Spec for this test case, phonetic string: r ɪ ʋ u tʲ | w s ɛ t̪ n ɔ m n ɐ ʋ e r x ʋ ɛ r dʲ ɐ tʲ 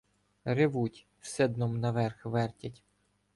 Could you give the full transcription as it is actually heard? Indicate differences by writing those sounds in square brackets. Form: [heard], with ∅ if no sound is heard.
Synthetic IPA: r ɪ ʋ u tʲ | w s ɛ [d̪] n ɔ m n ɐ ʋ [ɛ] r x ʋ ɛ r [tʲ] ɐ tʲ